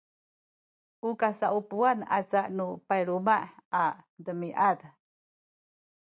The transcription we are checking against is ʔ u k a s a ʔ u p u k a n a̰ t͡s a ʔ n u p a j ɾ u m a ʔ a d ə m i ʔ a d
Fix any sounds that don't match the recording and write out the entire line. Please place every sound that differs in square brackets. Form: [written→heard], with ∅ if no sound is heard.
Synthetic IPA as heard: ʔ u k a s a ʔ u p u [k→∅] a n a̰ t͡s a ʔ n u p a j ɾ u m a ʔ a d ə m i ʔ a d